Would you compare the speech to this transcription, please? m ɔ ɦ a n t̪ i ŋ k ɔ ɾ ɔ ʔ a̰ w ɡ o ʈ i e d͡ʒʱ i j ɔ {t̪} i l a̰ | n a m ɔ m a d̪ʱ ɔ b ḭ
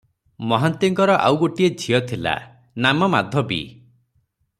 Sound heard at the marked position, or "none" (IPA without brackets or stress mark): t̪ʰ